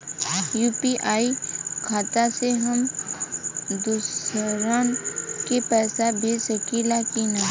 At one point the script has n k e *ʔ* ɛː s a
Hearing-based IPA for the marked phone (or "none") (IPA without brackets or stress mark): p